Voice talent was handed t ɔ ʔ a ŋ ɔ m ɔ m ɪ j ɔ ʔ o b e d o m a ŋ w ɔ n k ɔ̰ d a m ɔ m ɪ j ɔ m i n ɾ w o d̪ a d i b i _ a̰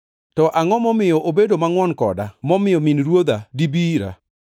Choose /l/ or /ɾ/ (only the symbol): ɾ